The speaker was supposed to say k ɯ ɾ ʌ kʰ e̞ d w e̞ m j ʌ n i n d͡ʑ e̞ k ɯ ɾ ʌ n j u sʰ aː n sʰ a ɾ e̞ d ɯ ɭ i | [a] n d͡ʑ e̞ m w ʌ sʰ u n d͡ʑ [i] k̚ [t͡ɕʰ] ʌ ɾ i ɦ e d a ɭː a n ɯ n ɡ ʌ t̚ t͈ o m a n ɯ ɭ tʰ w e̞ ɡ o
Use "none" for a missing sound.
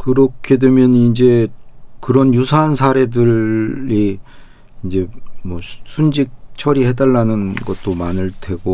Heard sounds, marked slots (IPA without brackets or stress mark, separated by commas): i, i, t͡ɕʰ